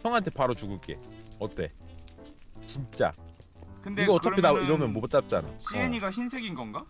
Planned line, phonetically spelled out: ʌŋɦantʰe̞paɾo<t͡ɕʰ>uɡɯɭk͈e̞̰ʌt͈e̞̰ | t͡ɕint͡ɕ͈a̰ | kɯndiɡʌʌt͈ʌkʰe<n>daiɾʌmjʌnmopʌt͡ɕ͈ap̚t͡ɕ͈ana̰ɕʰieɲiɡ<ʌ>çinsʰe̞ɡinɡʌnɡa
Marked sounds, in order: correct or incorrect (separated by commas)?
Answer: incorrect, incorrect, incorrect